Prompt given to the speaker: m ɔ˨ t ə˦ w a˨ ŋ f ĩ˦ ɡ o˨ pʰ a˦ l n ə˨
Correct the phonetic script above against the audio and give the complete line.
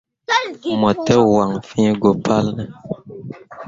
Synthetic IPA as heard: m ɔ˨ t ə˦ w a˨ ŋ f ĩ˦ ɡ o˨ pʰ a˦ l n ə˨